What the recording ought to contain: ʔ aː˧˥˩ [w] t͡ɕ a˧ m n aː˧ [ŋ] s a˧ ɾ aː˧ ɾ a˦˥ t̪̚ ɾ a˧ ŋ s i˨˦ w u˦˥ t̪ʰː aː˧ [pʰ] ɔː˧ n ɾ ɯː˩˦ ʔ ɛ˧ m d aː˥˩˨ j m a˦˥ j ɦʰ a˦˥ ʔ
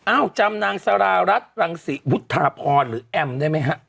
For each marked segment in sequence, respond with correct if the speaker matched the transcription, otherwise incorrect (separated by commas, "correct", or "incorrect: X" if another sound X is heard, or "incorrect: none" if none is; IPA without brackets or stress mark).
correct, correct, correct